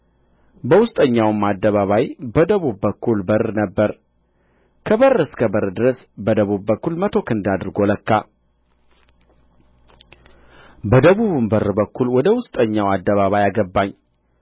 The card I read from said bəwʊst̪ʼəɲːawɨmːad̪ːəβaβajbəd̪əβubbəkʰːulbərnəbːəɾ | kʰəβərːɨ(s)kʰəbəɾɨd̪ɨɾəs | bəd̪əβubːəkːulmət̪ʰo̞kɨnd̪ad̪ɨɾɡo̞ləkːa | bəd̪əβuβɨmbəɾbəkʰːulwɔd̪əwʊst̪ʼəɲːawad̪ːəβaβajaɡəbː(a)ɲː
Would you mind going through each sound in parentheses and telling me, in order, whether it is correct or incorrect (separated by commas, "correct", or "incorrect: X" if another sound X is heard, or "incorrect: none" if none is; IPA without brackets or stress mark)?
correct, correct